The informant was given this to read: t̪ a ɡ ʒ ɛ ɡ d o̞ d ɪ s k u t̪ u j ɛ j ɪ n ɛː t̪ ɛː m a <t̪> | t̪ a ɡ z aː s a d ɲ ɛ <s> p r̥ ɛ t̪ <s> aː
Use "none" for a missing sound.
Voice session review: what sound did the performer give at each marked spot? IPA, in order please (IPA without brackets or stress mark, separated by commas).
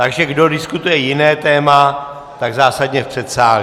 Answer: none, f, s